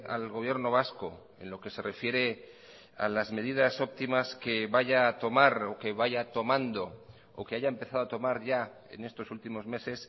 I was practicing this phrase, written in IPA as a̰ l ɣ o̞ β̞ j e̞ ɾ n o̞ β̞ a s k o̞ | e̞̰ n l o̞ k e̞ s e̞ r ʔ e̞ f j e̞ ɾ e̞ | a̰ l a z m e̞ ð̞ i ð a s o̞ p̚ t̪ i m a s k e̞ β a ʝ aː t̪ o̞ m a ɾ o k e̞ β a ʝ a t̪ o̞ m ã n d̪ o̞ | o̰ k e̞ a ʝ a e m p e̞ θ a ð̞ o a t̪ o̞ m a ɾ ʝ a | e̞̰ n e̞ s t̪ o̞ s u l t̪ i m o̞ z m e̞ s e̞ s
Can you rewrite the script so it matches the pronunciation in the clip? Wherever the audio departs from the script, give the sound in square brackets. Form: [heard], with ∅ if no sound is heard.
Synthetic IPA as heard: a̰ l ɣ o̞ β̞ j e̞ ɾ n o̞ β̞ a s k o̞ | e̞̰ n l o̞ k e̞ s e̞ r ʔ e̞ f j e̞ ɾ e̞ | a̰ l a z m e̞ ð̞ i ð a s o̞ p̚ t̪ i m a s k e̞ β a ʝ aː t̪ o̞ m a ɾ o k e̞ β a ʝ a t̪ o̞ m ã n d̪ o̞ | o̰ k e̞ a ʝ a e m p e̞ θ a ð̞ o a t̪ o̞ m a ɾ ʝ a | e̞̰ n e̞ s t̪ o̞ s u l t̪ i m o̞ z m e̞ s e̞ s

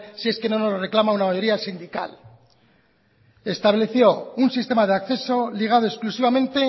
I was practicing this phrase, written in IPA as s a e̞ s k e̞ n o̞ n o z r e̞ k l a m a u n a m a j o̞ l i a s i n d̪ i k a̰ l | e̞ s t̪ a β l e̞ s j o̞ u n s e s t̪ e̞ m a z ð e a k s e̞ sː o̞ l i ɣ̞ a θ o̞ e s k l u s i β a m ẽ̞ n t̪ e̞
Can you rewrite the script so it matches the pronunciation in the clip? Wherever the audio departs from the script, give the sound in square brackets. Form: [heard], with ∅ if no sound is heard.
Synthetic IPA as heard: s [i] e̞ s k e̞ n o̞ n o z r e̞ k l a m a u n a m a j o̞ [ɾ] i a s i n d̪ i k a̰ l | e̞ s t̪ a β l e̞ [θ] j o̞ u n s [i] s t̪ e̞ m a [∅] ð e a k [θ] e̞ [s] o̞ l i ɣ̞ a [ð] o̞ e s k l u s i β a m ẽ̞ n t̪ e̞

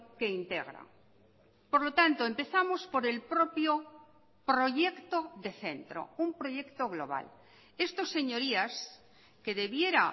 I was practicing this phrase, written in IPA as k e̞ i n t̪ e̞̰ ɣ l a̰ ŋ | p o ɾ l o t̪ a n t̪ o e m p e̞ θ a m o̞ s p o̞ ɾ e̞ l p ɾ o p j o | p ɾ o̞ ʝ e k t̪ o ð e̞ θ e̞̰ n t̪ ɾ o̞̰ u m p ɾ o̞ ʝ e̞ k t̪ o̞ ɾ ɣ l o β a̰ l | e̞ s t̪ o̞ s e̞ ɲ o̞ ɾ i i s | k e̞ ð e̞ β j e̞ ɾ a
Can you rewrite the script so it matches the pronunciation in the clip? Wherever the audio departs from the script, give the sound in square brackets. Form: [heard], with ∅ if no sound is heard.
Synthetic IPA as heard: k e̞ i n t̪ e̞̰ ɣ [ɾ] a̰ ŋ | p o ɾ l o t̪ a n t̪ o e m p e̞ θ a m o̞ s p o̞ ɾ e̞ l p ɾ o p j o | p ɾ o̞ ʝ e k t̪ o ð e̞ θ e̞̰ n t̪ ɾ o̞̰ u m p ɾ o̞ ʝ e̞ k t̪ o̞ [∅] ɣ l o β a̰ l | e̞ s t̪ o̞ s e̞ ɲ o̞ ɾ i [a] s | k e̞ ð e̞ β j e̞ ɾ a

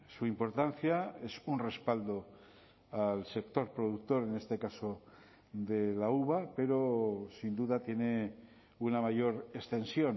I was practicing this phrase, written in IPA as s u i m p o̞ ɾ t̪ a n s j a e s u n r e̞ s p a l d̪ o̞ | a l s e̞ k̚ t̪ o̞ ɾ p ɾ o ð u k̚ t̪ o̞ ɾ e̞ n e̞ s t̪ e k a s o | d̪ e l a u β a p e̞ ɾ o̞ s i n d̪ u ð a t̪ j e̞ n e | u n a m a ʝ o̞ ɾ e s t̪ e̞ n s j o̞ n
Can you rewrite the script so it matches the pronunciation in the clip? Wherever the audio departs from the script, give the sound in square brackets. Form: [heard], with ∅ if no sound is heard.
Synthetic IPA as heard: s u i m p o̞ ɾ t̪ a n [θ] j a e s u n r e̞ s p a l d̪ o̞ | a l s e̞ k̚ t̪ o̞ ɾ p ɾ o ð u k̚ t̪ o̞ ɾ e̞ n e̞ s t̪ e k a s o | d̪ e l a u β a p e̞ ɾ o̞ s i n d̪ u ð a t̪ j e̞ n e | u n a m a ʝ o̞ ɾ e s t̪ e̞ n s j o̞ n

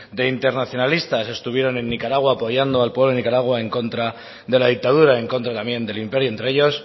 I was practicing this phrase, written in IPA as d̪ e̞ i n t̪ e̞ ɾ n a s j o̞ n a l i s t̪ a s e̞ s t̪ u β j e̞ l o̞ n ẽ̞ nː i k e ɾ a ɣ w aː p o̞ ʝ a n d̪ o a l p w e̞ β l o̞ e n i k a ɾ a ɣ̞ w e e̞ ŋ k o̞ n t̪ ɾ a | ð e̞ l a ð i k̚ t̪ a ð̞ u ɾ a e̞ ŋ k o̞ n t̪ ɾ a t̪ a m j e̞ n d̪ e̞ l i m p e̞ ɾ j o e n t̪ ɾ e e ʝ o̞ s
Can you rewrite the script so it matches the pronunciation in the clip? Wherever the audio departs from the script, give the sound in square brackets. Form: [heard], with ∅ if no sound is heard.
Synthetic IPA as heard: d̪ e̞ i n t̪ e̞ ɾ n a [θ] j o̞ n a l i s t̪ a s e̞ s t̪ u β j e̞ [ɾ] o̞ n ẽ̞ nː i k [a] ɾ a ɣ w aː p o̞ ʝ a n d̪ o a l p w e̞ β l o̞ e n i k a ɾ a ɣ̞ w [a] e̞ ŋ k o̞ n t̪ ɾ a | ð e̞ l a ð i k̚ t̪ a ð̞ u ɾ a e̞ ŋ k o̞ n t̪ ɾ a t̪ a m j e̞ n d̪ e̞ l i m p e̞ ɾ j o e n t̪ ɾ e e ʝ o̞ s

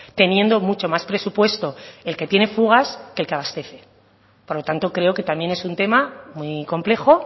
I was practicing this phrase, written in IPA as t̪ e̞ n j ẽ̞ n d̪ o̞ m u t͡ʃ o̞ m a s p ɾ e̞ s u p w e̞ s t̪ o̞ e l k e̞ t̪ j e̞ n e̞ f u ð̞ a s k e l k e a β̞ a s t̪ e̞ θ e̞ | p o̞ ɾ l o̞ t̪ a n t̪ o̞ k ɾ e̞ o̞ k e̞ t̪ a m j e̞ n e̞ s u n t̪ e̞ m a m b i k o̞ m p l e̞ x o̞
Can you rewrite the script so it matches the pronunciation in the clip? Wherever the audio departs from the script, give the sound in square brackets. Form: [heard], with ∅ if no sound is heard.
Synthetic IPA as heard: t̪ e̞ n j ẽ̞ n d̪ o̞ m u t͡ʃ o̞ m a s p ɾ e̞ s u p w e̞ s t̪ o̞ e l k e̞ t̪ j e̞ n e̞ f u [ɣ̞] a s k e l k e a β̞ a s t̪ e̞ θ e̞ | p o̞ ɾ l o̞ t̪ a n t̪ o̞ k ɾ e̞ o̞ k e̞ t̪ a m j e̞ n e̞ s u n t̪ e̞ m a m [w] i k o̞ m p l e̞ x o̞

